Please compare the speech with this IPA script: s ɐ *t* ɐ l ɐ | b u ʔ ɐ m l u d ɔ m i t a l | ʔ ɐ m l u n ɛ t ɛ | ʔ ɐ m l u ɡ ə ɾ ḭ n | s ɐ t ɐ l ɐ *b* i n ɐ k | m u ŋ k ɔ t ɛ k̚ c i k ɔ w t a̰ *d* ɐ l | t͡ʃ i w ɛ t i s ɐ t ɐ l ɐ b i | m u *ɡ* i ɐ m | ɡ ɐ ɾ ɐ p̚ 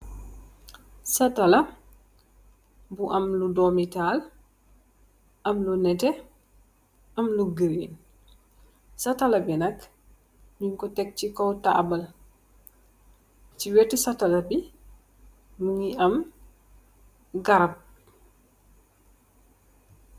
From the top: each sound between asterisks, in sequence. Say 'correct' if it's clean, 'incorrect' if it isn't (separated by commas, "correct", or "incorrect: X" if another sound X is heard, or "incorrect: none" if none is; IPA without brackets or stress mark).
correct, correct, incorrect: b, incorrect: ŋ